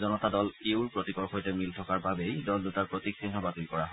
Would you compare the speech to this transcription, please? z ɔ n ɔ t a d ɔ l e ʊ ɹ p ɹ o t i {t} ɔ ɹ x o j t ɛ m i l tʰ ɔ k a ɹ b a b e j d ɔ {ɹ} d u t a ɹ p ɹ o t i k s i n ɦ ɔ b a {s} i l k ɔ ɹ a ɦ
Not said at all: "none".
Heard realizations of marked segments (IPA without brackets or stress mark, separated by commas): k, l, t